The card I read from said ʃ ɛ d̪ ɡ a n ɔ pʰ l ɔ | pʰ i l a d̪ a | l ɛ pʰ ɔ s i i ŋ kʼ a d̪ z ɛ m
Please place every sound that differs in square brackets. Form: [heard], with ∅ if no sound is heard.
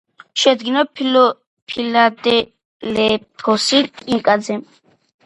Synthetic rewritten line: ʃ ɛ d̪ ɡ [i] n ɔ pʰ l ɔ | pʰ i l a d̪ [ɛ] | l ɛ pʰ ɔ s i i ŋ kʼ a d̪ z ɛ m